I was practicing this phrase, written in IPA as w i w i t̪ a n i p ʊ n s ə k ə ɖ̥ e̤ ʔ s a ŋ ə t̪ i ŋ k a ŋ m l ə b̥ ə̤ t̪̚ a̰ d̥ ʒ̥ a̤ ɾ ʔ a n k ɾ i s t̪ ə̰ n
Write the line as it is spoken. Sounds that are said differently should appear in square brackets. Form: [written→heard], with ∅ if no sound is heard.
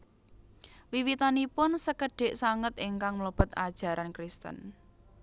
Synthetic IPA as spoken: w i w i t̪ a n i p ʊ n s ə k ə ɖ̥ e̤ ʔ s a ŋ ə t̪ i ŋ k a ŋ m l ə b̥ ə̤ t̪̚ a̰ d̥ ʒ̥ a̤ ɾ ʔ a n k ɾ i s t̪ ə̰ n